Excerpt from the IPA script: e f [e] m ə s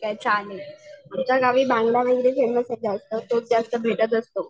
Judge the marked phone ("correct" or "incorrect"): correct